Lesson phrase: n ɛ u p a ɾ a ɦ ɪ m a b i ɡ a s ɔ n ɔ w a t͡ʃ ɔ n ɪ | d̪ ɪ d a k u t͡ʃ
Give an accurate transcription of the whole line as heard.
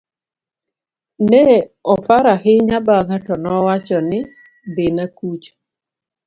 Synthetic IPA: n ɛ ɔ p a ɾ a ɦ ɪ ɲ a b a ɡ a t ɔ n ɔ w a t͡ʃ ɔ n ɪ | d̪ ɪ n a k u t͡ʃ